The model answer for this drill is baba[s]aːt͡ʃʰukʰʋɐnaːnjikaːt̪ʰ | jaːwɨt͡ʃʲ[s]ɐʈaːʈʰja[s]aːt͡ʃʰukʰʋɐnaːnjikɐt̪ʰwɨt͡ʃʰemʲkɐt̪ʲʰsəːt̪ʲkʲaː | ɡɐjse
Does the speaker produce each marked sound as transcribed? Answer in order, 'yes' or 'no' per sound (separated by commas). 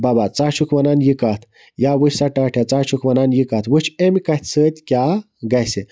no, yes, no